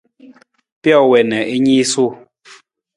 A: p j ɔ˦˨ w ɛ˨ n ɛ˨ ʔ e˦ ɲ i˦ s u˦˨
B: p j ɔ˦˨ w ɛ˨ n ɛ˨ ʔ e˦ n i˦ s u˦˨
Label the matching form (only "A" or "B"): A